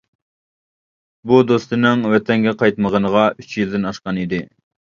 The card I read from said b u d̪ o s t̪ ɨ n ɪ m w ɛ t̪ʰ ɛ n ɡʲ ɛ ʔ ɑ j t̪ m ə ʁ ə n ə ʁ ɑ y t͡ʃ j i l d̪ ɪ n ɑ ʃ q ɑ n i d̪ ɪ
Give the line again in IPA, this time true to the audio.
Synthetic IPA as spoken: b u d̪ o s t̪ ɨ n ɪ ŋ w ɛ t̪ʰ ɛ ŋ ɡʲ ɛ q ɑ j t̪ m ə ʁ ə n ə ʁ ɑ y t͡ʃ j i l d̪ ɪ n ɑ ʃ q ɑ n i d̪ ɪ